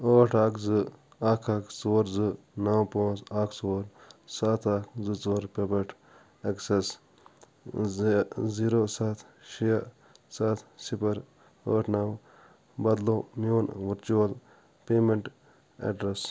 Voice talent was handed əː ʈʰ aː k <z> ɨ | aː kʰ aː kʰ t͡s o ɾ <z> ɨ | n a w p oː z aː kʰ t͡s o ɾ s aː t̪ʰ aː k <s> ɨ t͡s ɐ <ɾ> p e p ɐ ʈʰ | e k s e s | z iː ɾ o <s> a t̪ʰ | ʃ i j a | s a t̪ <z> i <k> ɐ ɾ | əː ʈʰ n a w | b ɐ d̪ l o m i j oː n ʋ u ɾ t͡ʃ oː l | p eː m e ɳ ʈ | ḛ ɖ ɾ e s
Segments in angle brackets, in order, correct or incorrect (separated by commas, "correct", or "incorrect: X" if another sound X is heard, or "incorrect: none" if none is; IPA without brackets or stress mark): correct, correct, incorrect: z, correct, correct, incorrect: s, incorrect: p